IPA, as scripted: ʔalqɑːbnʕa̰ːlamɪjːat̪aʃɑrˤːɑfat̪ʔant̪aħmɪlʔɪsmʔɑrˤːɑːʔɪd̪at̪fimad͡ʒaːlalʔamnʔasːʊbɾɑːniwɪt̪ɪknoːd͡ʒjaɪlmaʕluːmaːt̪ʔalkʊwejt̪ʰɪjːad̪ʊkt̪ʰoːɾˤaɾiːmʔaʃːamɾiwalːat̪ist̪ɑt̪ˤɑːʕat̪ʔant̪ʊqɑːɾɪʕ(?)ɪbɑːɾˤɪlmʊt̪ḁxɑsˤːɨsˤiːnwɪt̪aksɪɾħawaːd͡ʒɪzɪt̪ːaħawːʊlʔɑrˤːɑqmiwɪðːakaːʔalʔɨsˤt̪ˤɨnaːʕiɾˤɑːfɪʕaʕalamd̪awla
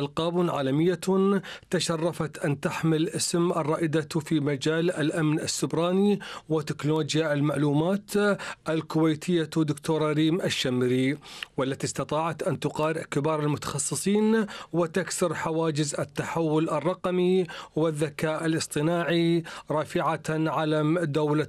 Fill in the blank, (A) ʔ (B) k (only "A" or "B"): B